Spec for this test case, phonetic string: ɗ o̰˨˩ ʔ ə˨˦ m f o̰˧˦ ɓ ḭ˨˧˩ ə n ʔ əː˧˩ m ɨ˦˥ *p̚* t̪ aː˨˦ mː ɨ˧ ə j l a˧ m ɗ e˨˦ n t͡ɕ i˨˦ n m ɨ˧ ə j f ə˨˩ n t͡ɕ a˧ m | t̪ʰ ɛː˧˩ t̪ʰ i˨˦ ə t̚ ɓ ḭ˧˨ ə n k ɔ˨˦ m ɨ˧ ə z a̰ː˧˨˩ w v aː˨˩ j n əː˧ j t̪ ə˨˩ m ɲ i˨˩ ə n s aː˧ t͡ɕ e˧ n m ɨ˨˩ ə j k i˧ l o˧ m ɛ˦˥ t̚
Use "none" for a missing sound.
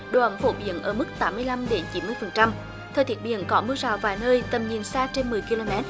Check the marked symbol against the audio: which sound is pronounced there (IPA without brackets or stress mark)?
k̚